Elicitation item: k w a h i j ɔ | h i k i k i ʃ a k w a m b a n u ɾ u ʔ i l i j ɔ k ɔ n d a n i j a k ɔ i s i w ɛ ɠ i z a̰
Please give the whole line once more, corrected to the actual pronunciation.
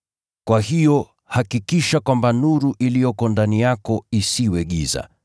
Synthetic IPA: k w a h i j ɔ | h a k i k i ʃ a k w a m b a n u ɾ u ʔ i l i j ɔ k ɔ n d a n i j a k ɔ i s i w ɛ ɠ i z a̰